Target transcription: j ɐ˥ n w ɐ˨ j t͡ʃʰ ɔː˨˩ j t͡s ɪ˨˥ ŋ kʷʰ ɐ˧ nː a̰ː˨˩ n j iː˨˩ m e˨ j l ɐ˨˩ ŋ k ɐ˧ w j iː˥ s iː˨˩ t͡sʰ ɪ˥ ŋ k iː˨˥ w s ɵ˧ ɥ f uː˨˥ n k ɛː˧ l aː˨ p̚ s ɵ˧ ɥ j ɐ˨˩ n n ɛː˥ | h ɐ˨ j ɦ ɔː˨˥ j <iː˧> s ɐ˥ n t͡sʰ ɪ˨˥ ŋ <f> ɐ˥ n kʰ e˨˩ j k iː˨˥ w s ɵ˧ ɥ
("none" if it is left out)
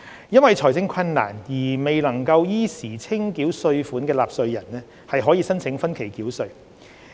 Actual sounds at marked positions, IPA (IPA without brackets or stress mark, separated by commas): iː˧, f